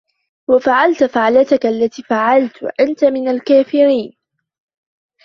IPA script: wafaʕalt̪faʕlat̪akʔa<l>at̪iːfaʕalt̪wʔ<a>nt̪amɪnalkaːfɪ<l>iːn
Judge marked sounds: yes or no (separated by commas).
no, yes, no